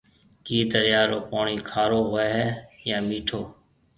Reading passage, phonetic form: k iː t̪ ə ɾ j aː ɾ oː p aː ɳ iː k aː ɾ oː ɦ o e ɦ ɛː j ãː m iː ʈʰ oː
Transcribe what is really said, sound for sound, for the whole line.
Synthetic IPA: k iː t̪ ə ɾ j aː ɾ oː p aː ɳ iː kʰ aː ɾ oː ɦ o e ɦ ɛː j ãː m iː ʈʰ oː